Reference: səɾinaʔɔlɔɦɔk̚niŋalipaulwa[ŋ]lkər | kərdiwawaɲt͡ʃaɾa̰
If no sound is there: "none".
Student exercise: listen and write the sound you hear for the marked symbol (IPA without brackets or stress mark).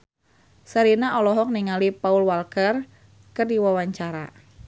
none